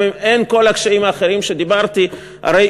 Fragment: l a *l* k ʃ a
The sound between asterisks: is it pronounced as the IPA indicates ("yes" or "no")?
no